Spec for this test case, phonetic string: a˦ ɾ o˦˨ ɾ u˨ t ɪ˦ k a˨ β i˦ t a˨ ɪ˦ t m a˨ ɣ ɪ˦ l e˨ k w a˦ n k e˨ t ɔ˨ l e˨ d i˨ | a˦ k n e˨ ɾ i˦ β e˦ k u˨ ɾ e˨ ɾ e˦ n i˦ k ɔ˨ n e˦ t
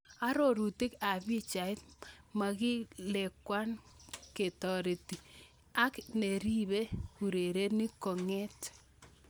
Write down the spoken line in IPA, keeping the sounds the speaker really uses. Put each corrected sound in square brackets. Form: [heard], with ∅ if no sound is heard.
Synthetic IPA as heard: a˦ ɾ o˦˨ ɾ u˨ t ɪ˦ k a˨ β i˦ [t͡ʃ] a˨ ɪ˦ t m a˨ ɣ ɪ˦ l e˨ k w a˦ n k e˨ t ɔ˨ [ɾ] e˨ [t] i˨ | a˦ k n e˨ ɾ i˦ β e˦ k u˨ ɾ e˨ ɾ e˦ n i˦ k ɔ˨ [ŋ] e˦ t